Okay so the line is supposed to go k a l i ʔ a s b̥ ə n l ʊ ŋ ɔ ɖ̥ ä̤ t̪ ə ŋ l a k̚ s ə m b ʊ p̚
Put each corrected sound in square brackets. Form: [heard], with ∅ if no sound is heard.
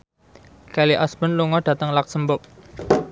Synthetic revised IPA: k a l i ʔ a s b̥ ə n l [u] ŋ ɔ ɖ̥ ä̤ t̪ ə ŋ l a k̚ s ə m b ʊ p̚